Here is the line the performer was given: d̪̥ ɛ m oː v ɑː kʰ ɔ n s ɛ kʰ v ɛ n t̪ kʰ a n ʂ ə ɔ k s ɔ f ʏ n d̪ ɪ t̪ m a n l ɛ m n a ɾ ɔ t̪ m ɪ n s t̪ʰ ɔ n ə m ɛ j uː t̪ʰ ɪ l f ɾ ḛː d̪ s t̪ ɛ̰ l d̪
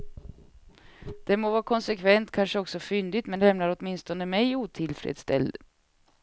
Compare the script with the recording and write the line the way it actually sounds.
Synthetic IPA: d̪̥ ɛ m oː v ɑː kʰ ɔ n s ɛ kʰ v ɛ n t̪ kʰ a n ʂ ə ɔ k s ɔ f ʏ n d̪ ɪ t̪ m ɛ n l ɛ m n a ɾ ɔ t̪ m ɪ n s t̪ ɔ n ə m ɛ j uː t̪ʰ ɪ l f ɾ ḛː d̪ s t̪ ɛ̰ l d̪